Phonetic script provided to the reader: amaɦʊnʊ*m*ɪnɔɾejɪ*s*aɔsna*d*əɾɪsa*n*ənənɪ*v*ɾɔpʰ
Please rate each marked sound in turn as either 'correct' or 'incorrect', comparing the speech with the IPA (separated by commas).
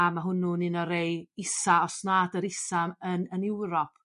incorrect, correct, correct, incorrect, incorrect